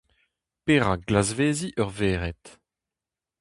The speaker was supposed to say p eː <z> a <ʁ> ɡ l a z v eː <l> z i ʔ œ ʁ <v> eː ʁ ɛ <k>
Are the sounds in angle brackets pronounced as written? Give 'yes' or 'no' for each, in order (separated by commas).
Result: no, no, no, yes, no